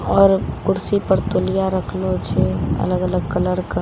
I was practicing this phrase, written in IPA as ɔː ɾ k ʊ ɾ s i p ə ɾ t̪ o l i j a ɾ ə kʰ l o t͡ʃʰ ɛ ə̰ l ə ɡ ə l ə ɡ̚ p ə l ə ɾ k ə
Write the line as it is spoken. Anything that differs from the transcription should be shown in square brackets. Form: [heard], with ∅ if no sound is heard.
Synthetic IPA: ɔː ɾ k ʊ ɾ s i p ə ɾ t̪ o l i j a ɾ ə kʰ l o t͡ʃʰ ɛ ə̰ l ə ɡ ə l ə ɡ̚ [k] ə l ə ɾ k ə